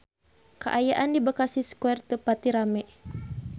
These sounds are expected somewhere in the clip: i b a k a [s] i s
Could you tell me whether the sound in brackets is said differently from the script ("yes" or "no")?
no